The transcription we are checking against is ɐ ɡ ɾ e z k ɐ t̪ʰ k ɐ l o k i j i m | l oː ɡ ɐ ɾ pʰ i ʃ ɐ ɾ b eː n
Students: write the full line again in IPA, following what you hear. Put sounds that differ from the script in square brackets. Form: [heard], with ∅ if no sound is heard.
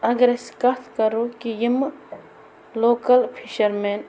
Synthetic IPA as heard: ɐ ɡ ɾ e [s] k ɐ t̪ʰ k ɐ [ɾ] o k i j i m | l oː [k] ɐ [l] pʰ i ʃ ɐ ɾ [m] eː n